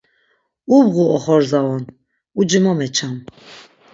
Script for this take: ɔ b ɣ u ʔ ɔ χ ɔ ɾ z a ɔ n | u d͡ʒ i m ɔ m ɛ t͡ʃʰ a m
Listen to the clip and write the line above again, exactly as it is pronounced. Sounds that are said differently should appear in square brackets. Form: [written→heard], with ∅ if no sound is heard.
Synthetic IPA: [ɔ→u] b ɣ u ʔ ɔ χ ɔ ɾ z a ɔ n | u d͡ʒ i m ɔ m ɛ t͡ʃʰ a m